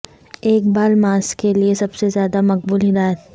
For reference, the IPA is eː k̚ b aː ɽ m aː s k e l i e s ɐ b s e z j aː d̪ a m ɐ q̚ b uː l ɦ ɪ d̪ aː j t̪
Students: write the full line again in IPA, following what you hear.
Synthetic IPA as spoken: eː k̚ b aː l m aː s k e l i e s ɐ b s e z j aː d̪ a m ɐ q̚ b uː l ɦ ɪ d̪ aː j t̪